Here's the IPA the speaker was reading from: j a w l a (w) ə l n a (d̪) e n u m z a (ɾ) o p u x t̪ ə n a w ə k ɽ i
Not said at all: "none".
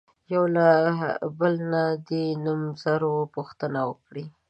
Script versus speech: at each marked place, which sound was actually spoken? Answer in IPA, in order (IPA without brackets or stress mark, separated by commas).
b, d̪, ɾ